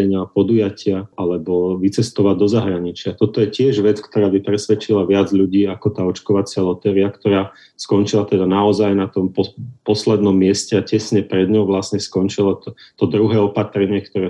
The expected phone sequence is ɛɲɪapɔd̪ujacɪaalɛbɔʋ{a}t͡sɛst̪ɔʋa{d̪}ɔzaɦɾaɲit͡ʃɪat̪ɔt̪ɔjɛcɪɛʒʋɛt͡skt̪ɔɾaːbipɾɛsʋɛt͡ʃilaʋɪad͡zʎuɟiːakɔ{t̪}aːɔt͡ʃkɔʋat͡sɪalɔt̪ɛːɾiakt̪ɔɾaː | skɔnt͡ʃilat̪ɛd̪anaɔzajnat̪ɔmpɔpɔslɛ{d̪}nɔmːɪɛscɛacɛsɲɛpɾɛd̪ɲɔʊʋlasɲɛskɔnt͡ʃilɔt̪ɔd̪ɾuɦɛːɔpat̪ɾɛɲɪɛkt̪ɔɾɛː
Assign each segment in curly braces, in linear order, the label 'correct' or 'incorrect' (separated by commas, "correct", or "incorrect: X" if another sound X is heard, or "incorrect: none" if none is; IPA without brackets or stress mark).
incorrect: i, correct, correct, correct